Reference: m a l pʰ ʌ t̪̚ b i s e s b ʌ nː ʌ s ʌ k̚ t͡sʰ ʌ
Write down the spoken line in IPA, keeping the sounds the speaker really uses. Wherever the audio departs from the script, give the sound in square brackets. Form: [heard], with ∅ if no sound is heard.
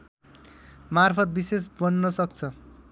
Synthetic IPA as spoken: m a [r] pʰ ʌ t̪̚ b i s e s b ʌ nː ʌ s ʌ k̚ t͡sʰ ʌ